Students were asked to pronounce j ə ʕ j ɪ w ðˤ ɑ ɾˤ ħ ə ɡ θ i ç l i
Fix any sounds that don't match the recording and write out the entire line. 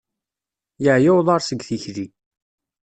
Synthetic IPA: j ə ʕ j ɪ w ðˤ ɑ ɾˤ s ə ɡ θ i ç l i